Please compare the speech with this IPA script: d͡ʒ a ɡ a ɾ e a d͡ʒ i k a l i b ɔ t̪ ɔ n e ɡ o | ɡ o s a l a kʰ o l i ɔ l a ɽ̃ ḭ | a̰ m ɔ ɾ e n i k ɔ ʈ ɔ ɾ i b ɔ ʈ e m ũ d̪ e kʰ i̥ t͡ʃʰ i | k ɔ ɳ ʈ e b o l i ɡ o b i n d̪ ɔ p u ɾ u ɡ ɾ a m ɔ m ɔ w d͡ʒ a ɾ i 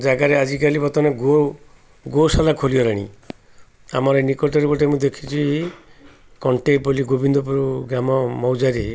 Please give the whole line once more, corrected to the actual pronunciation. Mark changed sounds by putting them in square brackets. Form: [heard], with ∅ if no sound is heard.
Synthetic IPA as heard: d͡ʒ a ɡ a ɾ e a d͡ʒ i k a l i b ɔ t̪ ɔ n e ɡ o | ɡ o s a l a kʰ o l i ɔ [ɾ] a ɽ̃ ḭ | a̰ m ɔ ɾ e n i k ɔ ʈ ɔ ɾ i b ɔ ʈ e m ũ d̪ e kʰ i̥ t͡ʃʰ i | k ɔ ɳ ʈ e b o l i ɡ o b i n d̪ ɔ p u ɾ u ɡ ɾ a m ɔ m ɔ w d͡ʒ a ɾ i

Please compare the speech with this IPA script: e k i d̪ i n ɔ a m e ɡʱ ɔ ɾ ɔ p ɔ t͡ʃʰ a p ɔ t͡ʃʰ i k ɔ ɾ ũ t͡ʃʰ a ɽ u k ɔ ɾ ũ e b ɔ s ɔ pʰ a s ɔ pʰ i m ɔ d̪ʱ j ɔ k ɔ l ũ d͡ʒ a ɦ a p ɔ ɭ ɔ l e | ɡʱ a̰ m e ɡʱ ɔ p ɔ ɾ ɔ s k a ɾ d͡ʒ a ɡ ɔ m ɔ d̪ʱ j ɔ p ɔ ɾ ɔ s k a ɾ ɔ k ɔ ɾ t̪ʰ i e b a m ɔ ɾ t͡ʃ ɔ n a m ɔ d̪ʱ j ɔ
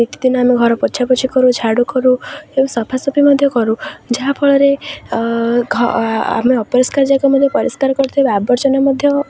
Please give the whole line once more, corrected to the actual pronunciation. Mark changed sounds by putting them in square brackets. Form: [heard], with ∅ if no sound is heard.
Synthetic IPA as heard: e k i d̪ i n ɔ a m e ɡʱ ɔ ɾ ɔ p ɔ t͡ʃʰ a p ɔ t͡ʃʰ i k ɔ ɾ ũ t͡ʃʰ a ɽ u k ɔ ɾ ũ e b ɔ s ɔ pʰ a s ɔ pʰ i m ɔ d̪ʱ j ɔ k ɔ [ɾ] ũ d͡ʒ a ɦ a [pʰ] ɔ ɭ ɔ [ɾ] e | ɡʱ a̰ m e [∅] ɔ p ɔ ɾ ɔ s k a ɾ d͡ʒ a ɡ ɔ m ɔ d̪ʱ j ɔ p ɔ ɾ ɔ s k a ɾ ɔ k ɔ ɾ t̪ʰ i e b a [b] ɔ ɾ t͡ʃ ɔ n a m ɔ d̪ʱ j ɔ

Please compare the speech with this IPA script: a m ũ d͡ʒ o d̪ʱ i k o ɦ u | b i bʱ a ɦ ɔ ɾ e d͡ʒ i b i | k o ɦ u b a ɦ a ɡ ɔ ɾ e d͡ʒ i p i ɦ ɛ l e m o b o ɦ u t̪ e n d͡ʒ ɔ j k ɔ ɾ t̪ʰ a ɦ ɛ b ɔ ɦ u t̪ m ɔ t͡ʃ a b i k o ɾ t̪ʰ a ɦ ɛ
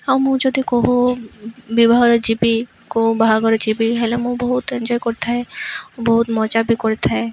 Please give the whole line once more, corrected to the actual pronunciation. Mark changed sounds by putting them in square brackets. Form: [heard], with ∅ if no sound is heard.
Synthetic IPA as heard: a m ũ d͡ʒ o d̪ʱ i k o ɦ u | b i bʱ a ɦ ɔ ɾ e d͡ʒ i b i | k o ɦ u b a ɦ a ɡ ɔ ɾ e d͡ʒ i [b] i ɦ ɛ l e m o b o ɦ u t̪ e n d͡ʒ ɔ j k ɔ ɾ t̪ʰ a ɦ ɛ b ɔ ɦ u t̪ m ɔ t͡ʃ a b i k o ɾ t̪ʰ a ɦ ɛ

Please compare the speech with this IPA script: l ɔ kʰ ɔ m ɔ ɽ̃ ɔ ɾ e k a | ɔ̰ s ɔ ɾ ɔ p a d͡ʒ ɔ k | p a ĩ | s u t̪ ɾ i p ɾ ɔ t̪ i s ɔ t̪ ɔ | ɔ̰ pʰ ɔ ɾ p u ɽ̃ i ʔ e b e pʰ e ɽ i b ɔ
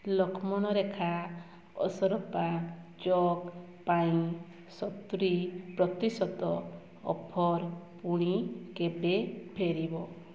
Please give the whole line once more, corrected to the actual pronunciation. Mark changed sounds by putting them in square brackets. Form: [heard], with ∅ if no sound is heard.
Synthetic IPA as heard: l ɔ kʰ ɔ m ɔ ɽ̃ ɔ ɾ e [kʰ] a | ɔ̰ s ɔ ɾ ɔ p a d͡ʒ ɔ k | p a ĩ | s [ɔ] t̪ ɾ i p ɾ ɔ t̪ i s ɔ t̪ ɔ | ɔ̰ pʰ ɔ ɾ p u ɽ̃ i [k] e b e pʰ e [ɾ] i b ɔ

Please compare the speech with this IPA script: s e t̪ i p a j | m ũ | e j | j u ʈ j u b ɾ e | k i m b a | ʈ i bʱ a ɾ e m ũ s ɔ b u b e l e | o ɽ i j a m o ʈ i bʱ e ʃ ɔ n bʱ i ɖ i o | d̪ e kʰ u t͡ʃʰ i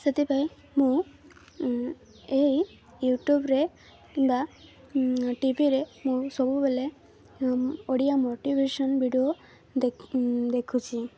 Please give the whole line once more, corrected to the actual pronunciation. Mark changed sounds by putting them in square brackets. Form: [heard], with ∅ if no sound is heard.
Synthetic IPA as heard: s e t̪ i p a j | m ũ | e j | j u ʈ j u b ɾ e | k i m b a | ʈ i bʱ [i] ɾ e m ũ s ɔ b u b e l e | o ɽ i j a m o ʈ i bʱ e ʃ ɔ n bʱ i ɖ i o | d̪ e kʰ u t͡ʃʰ i

